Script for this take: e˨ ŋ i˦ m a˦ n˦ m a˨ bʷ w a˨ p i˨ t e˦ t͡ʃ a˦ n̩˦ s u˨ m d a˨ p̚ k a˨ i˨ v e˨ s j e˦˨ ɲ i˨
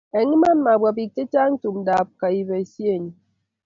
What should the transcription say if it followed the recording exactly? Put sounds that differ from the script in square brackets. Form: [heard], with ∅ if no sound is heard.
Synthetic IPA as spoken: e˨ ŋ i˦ m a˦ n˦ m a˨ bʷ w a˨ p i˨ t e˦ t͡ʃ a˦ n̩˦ [t] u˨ m d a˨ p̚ k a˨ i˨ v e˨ s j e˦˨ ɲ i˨